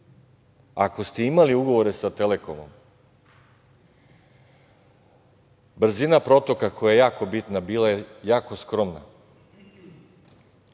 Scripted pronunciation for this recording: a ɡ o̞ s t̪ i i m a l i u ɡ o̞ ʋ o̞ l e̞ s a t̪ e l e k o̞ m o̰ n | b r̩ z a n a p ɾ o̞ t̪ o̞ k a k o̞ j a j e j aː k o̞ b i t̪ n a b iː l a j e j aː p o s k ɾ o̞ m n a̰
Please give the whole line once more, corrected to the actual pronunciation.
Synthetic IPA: a k o̞ s t̪ e i m a l i u ɡ o̞ ʋ o̞ ɾ e̞ s a t̪ e l e k o̞ m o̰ m | b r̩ z i n a p ɾ o̞ t̪ o̞ k a k o̞ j a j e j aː k o̞ b i t̪ n a b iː l a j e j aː k o s k ɾ o̞ m n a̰